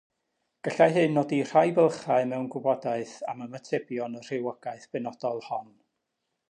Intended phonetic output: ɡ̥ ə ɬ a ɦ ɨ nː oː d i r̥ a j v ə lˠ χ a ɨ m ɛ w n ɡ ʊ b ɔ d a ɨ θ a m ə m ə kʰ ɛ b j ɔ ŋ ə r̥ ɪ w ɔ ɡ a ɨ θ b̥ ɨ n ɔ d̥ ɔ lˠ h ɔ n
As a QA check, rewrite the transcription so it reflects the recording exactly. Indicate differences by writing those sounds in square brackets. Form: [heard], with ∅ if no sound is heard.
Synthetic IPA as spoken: ɡ̥ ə ɬ a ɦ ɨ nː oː d i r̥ a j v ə lˠ χ a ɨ m ɛ w n ɡ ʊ b ɔ d a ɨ θ a m ə m ə [tʰ] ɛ b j ɔ [n] ə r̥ ɪ w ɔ ɡ a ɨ θ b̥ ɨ n ɔ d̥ ɔ lˠ h ɔ n